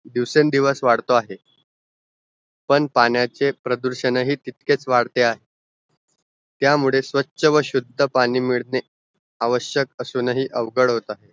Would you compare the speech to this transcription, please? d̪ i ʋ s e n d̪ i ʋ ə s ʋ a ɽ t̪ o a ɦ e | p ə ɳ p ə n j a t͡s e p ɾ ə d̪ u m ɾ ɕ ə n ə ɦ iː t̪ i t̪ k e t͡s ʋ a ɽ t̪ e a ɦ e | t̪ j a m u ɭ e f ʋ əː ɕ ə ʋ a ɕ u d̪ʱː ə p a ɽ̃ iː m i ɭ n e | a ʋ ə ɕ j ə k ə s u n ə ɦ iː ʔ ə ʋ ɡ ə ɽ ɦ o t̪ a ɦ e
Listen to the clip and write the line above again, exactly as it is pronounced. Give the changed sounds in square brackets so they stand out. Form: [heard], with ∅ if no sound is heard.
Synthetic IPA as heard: d̪ i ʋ s e n d̪ i ʋ ə s ʋ a ɽ t̪ o a ɦ e | p ə ɳ p [a] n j a t͡s e p ɾ ə d̪ u [∅] ɾ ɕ ə n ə ɦ iː t̪ i t̪ k e t͡s ʋ a ɽ t̪ e a ɦ e | t̪ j a m u ɭ e [s] ʋ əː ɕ ə ʋ [ə] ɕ u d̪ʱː ə p a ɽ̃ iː m i ɭ n e | a ʋ ə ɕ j ə k ə s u n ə ɦ iː ʔ ə ʋ ɡ ə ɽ ɦ o t̪ a ɦ e